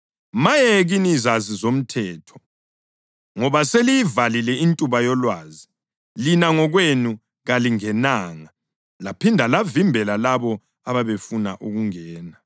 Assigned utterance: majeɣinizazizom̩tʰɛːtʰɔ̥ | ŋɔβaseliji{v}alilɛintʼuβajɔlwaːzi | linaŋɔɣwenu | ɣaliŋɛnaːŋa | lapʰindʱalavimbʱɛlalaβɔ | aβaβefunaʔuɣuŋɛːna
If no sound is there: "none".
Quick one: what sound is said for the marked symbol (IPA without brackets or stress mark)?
v